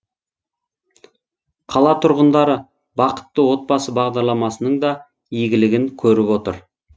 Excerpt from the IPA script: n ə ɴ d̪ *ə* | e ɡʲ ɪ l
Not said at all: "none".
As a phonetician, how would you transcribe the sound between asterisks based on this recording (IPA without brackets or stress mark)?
ɑ